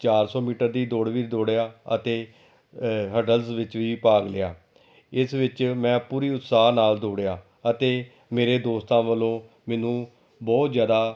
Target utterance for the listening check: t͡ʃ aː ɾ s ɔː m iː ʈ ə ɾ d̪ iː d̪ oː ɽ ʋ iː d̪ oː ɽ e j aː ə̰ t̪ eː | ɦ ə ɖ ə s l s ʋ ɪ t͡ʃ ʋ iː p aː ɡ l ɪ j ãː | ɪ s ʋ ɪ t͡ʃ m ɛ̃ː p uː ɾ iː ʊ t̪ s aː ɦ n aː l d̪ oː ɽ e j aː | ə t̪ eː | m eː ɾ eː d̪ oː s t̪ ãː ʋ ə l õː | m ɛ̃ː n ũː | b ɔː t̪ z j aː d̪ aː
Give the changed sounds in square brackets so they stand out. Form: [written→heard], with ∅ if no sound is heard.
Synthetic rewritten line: t͡ʃ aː ɾ s ɔː m iː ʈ ə ɾ d̪ iː d̪ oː ɽ ʋ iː d̪ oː ɽ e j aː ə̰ t̪ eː | ɦ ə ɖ ə [s→∅] l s ʋ ɪ t͡ʃ ʋ iː p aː ɡ l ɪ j [ãː→aː] | ɪ s ʋ ɪ t͡ʃ m ɛ̃ː p uː ɾ iː ʊ t̪ s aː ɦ n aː l d̪ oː ɽ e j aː | ə t̪ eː | m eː ɾ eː d̪ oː s t̪ ãː ʋ ə l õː | m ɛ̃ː n ũː | b ɔː t̪ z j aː d̪ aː

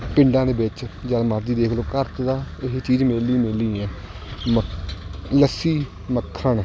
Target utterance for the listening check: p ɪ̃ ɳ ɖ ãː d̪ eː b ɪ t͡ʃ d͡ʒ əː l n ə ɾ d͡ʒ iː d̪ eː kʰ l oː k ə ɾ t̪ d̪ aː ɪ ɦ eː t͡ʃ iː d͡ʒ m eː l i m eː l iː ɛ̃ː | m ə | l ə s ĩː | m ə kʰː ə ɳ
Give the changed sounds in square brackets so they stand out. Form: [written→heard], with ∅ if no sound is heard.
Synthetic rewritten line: p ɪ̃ ɳ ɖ ãː d̪ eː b ɪ t͡ʃ d͡ʒ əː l [n→m] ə ɾ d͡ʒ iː d̪ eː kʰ l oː k ə ɾ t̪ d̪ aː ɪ ɦ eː t͡ʃ iː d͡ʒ m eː l i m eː l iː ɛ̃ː | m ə | l ə s [ĩː→iː] | m ə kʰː ə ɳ

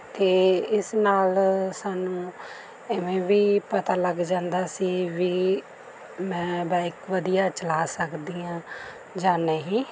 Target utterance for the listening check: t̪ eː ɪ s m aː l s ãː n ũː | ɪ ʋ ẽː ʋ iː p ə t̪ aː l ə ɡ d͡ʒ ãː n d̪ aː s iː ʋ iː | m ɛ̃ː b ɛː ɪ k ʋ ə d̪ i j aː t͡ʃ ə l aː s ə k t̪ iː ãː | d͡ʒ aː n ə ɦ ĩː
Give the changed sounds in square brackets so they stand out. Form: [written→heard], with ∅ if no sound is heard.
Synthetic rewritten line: t̪ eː ɪ s [m→n] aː l s [ãː→aː] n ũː | ɪ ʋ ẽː ʋ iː p ə t̪ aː l ə ɡ d͡ʒ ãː n d̪ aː s iː ʋ iː | m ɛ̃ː b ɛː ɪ k ʋ ə d̪ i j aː t͡ʃ ə l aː s ə k [t̪→d̪] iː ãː | d͡ʒ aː n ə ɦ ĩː

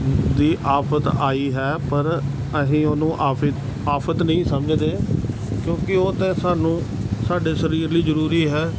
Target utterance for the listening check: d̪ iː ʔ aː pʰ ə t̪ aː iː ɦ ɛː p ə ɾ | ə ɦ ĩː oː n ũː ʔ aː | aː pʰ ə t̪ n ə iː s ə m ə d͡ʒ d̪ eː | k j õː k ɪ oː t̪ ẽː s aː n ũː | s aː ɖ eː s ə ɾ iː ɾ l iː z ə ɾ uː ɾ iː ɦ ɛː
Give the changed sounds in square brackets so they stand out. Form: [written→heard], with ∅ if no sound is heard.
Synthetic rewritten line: d̪ iː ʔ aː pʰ ə t̪ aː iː ɦ ɛː p ə ɾ | ə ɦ ĩː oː n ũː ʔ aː | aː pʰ ə t̪ n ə [iː→ĩː] s ə m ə d͡ʒ d̪ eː | k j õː k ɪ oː t̪ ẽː s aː n ũː | s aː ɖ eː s ə ɾ iː ɾ l iː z ə ɾ uː ɾ iː ɦ ɛː

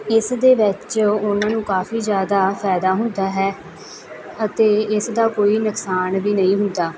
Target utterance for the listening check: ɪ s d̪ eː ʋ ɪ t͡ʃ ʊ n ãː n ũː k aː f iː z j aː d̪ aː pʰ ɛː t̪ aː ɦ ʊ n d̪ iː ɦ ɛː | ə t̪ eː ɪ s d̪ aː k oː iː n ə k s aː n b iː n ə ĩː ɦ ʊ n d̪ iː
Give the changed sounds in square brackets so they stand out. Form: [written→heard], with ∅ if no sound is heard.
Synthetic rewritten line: ɪ s d̪ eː ʋ ɪ t͡ʃ ʊ n ãː n ũː k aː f iː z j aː d̪ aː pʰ ɛː [t̪→d̪] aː ɦ ʊ n d̪ [iː→aː] ɦ ɛː | ə t̪ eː ɪ s d̪ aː k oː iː n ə k s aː n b iː n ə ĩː ɦ ʊ n d̪ [iː→aː]

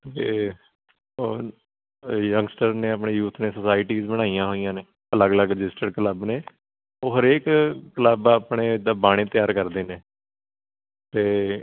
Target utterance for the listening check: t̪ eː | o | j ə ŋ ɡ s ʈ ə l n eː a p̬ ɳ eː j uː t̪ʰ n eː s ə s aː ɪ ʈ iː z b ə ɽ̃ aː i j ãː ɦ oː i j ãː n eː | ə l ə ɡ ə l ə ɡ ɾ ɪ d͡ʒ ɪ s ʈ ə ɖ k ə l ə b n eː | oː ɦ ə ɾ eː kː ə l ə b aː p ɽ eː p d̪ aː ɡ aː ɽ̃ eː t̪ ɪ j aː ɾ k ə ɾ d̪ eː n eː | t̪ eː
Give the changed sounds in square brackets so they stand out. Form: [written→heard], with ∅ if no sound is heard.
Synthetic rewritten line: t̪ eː | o | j ə ŋ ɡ s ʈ ə [l→ɾ] n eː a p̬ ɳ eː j uː t̪ʰ n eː s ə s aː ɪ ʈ iː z b ə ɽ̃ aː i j ãː ɦ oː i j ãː n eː | ə l ə ɡ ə l ə ɡ ɾ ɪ d͡ʒ ɪ s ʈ ə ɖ k ə l ə b n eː | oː ɦ ə ɾ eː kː ə l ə b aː p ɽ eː [p→∅] d̪ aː [ɡ→b] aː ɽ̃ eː t̪ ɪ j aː ɾ k ə ɾ d̪ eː n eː | t̪ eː

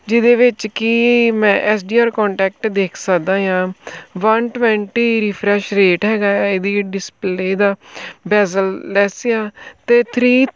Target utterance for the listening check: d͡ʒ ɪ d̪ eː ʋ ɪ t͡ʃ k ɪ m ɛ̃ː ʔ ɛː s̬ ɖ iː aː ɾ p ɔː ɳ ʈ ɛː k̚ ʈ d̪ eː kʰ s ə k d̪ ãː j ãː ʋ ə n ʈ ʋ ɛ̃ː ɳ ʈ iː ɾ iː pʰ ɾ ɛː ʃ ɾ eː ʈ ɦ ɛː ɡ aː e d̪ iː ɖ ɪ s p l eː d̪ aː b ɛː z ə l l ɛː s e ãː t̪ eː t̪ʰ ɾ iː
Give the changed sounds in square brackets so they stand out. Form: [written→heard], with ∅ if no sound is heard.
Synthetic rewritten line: d͡ʒ ɪ d̪ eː ʋ ɪ t͡ʃ k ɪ m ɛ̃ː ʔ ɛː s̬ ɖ iː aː ɾ [p→k] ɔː ɳ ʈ ɛː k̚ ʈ d̪ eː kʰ s ə k d̪ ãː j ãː ʋ ə n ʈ ʋ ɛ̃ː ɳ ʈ iː ɾ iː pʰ ɾ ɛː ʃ ɾ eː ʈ ɦ ɛː ɡ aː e d̪ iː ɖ ɪ s p l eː d̪ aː b ɛː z ə l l ɛː s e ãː t̪ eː t̪ʰ ɾ iː

